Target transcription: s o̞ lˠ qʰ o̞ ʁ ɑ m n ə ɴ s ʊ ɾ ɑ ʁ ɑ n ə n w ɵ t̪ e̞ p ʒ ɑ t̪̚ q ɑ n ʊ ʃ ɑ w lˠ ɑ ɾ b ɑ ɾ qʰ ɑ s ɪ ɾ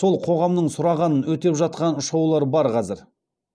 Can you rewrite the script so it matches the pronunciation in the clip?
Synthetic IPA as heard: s o̞ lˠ qʰ o̞ ʁ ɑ m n ə ɴ s ʊ ɾ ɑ ʁ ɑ n ə n w ɵ t̪ e̞ p ʒ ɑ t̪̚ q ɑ n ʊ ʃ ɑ w lˠ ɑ ɾ b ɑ ɾ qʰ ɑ z ɪ ɾ